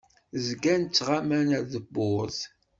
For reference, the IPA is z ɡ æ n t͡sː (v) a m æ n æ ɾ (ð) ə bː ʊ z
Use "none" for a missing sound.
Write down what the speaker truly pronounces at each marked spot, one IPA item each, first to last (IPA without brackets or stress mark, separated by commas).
ʁ, ð